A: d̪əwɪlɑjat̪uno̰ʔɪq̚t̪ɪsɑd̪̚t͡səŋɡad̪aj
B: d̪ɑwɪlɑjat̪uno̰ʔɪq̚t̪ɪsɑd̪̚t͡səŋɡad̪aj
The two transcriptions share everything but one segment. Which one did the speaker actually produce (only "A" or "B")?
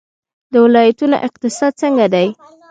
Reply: A